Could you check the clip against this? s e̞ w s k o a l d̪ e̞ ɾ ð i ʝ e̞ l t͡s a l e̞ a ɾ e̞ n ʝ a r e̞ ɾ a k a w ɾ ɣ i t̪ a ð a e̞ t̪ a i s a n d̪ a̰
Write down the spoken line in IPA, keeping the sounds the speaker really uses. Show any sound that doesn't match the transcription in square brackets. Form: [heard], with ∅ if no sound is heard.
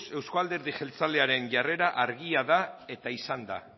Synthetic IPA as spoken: s e̞ w s k o a l d̪ e̞ ɾ ð i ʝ e̞ l t͡s a l e̞ a ɾ e̞ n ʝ a r e̞ ɾ a [ʔ] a [∅] ɾ ɣ i [∅] a ð a e̞ t̪ a i s a n d̪ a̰

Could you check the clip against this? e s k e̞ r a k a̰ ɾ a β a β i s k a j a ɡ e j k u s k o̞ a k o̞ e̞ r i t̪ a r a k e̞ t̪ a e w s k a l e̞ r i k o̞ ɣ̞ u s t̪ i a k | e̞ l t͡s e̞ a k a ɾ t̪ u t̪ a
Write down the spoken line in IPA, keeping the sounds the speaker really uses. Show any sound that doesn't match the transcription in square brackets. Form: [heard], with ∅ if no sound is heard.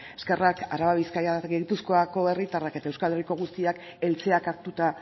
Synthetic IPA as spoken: e s k e̞ r a k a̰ ɾ a β a β i s k a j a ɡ e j [p] u s k o̞ a k o̞ e̞ r i t̪ a r a k e̞ t̪ a e w s k a l e̞ r i k o̞ ɣ̞ u s t̪ i a k | e̞ l t͡s e̞ a k a ɾ t̪ u t̪ a

